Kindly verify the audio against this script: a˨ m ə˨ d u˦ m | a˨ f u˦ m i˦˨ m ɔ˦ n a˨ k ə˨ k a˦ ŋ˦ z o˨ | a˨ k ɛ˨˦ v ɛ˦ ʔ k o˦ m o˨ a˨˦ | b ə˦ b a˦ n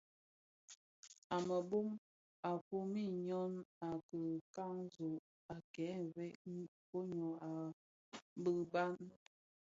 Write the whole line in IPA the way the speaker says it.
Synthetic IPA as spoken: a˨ m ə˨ b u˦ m | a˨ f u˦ m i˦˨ ɲ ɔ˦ n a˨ k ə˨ k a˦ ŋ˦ z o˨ | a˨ k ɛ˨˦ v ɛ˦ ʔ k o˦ ɲ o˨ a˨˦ | b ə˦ b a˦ n

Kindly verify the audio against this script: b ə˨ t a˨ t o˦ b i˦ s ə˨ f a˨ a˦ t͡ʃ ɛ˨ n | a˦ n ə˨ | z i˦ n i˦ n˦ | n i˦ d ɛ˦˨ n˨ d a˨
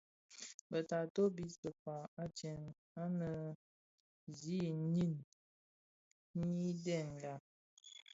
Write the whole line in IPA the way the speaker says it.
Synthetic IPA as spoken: b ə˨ t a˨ t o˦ b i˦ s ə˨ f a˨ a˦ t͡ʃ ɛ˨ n | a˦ n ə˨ | z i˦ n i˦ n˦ | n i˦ d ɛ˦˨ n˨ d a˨

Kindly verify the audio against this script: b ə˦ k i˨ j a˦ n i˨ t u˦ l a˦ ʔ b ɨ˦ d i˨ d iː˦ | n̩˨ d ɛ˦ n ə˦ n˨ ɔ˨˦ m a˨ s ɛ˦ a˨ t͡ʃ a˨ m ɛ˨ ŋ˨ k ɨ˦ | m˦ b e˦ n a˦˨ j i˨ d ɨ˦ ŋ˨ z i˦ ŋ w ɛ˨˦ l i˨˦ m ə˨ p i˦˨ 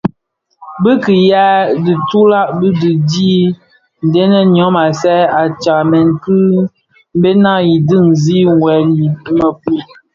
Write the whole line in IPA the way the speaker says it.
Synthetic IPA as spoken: b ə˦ k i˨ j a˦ d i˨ t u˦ l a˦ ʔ b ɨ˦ d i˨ d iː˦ | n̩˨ d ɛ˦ n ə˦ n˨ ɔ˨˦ m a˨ s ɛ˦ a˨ t͡ʃ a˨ m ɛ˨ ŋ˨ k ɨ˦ | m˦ b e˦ n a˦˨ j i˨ d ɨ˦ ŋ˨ z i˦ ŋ w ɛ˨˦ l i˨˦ m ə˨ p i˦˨

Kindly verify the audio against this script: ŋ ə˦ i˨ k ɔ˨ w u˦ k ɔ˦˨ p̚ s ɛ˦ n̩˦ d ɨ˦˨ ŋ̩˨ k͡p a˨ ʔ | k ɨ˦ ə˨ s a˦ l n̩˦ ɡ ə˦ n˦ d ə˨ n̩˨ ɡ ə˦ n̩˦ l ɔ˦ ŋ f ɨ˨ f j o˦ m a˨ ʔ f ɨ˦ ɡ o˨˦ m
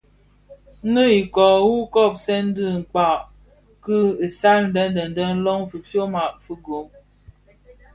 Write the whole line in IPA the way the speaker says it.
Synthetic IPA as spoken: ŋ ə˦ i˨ k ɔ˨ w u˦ k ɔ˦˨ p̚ s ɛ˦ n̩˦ d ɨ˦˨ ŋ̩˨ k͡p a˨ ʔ | k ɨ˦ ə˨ s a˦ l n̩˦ d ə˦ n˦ d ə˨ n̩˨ d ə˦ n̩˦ l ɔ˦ ŋ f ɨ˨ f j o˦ m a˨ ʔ f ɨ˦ ɡ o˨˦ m

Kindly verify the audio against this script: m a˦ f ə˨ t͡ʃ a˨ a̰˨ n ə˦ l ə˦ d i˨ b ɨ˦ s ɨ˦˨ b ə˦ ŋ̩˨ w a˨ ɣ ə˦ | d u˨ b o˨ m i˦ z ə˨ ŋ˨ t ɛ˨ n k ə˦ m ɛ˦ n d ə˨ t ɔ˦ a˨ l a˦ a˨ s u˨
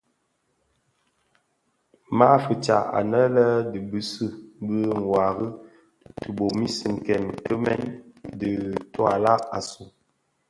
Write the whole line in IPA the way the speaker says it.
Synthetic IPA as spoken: m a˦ f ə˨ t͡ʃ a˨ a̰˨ n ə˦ l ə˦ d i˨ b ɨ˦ s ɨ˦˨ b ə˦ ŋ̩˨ w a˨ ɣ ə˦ | t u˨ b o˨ m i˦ s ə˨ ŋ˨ k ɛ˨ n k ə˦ m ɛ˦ n d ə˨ t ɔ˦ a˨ l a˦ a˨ s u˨

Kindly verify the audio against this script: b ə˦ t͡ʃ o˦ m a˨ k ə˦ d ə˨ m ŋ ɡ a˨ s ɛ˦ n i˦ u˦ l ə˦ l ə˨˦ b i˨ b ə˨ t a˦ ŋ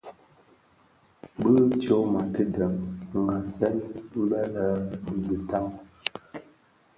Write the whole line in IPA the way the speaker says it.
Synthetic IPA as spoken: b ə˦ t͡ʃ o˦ m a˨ t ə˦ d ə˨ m ŋ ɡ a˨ s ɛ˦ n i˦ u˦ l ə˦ l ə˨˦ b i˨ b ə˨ t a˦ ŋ

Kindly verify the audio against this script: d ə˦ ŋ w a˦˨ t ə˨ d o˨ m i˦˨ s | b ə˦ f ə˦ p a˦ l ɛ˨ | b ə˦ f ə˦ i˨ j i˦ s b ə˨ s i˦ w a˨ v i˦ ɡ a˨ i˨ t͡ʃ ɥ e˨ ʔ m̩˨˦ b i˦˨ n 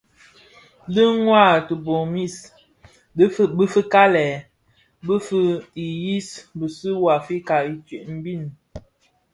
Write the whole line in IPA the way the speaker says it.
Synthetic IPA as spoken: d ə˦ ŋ w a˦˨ t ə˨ b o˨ m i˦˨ s | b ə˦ f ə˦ k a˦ l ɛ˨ | b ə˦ f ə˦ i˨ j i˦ s b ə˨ s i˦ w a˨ f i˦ k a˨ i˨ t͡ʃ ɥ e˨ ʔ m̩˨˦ b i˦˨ n

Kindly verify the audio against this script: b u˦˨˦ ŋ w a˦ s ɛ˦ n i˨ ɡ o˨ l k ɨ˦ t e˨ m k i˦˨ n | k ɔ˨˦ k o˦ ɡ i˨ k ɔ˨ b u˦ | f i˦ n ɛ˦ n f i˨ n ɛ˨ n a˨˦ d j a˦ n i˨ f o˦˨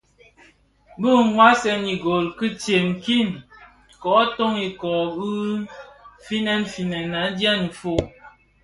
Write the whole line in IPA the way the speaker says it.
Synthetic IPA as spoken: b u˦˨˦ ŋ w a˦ s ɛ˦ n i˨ ɡ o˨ l k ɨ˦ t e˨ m k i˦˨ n | k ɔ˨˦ t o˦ ŋ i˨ k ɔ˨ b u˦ | f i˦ n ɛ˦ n f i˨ n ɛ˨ n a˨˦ d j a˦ n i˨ f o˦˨

